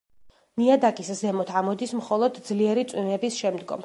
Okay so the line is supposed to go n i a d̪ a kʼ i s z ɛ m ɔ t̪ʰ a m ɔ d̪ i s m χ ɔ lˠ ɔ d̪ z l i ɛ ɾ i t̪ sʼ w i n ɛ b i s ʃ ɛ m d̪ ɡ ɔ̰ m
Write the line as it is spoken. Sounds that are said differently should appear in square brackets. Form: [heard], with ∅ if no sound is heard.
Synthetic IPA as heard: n i a d̪ a kʼ i s z ɛ m ɔ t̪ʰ a m ɔ d̪ i s m χ ɔ lˠ ɔ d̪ z l i ɛ ɾ i t̪ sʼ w i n ɛ b i s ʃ ɛ m d̪ ɡ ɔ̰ m